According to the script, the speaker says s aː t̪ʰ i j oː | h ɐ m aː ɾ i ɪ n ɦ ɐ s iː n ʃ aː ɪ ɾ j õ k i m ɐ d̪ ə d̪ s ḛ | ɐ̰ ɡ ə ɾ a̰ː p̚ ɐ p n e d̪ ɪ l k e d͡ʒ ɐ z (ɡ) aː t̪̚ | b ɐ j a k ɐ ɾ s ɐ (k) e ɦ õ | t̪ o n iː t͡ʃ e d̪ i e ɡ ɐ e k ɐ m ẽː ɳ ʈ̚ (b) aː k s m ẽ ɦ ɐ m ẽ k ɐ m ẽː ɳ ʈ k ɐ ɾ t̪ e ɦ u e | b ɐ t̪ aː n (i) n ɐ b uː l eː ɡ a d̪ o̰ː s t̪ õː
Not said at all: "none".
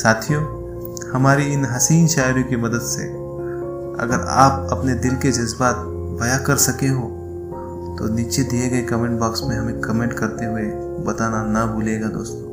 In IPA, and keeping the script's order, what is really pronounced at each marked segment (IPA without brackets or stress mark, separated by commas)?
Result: b, k, b, a